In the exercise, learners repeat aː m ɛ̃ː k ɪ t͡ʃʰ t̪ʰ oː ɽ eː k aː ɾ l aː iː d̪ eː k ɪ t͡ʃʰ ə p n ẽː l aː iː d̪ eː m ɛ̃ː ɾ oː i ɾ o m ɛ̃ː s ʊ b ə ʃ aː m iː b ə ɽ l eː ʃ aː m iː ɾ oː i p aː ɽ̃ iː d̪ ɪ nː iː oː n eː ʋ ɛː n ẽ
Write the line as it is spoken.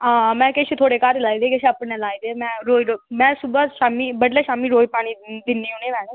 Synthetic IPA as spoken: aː m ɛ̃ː k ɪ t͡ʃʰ t̪ʰ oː ɽ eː k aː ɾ l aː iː d̪ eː k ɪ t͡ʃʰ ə p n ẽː l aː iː d̪ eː m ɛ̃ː ɾ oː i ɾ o m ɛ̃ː s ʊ b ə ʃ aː m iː b ə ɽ l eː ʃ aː m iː ɾ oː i p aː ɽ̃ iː d̪ ɪ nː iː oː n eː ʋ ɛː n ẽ